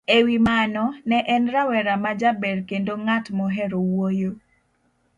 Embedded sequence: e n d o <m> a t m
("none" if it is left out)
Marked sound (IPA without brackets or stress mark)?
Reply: ŋ